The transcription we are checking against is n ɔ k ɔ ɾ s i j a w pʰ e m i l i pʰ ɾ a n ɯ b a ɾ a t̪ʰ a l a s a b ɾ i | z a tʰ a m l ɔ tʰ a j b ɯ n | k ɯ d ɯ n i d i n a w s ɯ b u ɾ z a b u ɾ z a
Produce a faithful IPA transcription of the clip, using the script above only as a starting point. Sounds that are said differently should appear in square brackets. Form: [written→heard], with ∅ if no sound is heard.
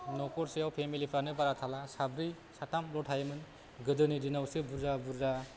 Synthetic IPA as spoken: n ɔ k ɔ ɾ s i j a w pʰ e m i l i pʰ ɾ a n ɯ b a ɾ a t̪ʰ a l a s a b ɾ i | [z→s] a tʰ a m l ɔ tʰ a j [b→m] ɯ n | [k→ɡ] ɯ d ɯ n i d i n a w s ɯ b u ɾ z a b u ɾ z a